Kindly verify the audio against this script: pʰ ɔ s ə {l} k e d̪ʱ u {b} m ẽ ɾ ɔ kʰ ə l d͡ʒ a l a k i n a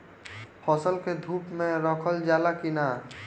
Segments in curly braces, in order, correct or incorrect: correct, incorrect: p

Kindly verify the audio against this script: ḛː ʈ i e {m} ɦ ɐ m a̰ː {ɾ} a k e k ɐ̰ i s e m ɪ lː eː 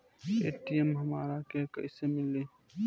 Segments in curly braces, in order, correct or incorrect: correct, correct

